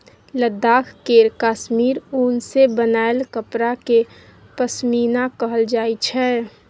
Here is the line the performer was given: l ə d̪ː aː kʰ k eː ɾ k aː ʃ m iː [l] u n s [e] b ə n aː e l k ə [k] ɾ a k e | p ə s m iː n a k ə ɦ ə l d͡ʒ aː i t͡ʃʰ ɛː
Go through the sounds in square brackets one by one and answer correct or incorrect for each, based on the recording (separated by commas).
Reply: incorrect, correct, incorrect